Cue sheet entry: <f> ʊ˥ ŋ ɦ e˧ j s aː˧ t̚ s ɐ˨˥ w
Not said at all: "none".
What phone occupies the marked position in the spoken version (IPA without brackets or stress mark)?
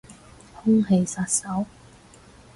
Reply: h